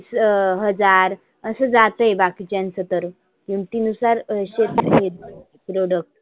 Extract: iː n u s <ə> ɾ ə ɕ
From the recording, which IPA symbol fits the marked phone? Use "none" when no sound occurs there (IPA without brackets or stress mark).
a